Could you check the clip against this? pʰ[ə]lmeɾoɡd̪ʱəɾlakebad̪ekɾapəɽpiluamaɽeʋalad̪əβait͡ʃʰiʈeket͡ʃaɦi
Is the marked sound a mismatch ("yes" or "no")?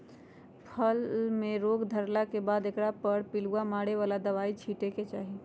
no